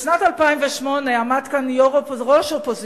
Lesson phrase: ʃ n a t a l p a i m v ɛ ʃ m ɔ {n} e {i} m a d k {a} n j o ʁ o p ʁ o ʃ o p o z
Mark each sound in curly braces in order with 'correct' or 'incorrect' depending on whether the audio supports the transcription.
correct, incorrect: a, correct

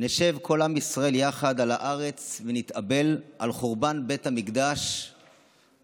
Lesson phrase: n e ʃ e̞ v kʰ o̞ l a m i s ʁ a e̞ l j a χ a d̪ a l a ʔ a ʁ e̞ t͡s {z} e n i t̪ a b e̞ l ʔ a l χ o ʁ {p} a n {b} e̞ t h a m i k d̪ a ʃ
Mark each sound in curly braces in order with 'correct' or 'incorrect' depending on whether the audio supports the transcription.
incorrect: v, incorrect: b, correct

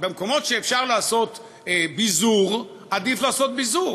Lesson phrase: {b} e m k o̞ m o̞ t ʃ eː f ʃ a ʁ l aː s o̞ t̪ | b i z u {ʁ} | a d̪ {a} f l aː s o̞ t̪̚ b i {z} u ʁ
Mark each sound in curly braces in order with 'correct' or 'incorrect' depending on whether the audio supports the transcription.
correct, correct, incorrect: i, correct

